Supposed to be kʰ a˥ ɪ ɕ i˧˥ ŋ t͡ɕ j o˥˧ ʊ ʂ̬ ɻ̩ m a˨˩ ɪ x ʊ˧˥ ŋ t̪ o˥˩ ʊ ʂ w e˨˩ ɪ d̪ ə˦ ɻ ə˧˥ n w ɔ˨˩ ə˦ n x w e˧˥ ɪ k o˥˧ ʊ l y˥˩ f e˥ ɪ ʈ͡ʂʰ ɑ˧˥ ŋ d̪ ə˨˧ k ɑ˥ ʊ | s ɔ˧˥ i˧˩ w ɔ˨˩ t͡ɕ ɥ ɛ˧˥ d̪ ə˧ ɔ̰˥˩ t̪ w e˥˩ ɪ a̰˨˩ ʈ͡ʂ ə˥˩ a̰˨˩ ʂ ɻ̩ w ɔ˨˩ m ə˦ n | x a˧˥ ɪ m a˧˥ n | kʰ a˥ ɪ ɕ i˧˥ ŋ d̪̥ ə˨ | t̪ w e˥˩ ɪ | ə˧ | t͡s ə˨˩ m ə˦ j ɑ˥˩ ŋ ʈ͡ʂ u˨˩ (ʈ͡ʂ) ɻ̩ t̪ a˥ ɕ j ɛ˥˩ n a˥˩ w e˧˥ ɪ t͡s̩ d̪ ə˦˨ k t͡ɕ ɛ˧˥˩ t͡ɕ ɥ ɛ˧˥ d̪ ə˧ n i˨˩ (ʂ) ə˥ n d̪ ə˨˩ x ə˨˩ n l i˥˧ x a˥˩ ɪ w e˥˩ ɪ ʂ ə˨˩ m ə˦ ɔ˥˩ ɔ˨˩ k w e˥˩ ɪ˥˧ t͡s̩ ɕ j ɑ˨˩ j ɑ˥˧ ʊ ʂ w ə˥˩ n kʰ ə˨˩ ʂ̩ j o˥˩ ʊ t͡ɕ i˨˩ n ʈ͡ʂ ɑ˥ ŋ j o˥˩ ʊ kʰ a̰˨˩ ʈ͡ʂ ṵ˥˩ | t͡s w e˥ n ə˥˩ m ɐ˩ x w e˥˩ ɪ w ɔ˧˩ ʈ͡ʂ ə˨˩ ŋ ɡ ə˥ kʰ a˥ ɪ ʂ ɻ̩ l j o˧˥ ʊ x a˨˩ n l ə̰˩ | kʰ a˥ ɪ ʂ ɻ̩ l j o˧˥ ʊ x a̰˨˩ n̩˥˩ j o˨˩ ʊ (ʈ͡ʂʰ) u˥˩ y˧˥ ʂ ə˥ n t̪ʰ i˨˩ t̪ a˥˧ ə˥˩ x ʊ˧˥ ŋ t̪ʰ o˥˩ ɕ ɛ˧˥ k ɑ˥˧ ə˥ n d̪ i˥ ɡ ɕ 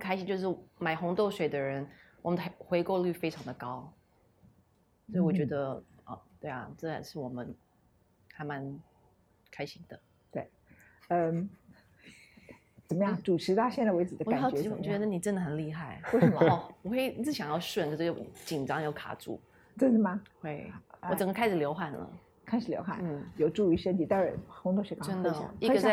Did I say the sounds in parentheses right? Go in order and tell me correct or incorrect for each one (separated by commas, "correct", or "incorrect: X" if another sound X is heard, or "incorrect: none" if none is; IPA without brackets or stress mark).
incorrect: ʈ͡ʂʰ, incorrect: ʈ͡ʂ, incorrect: ʈ͡ʂ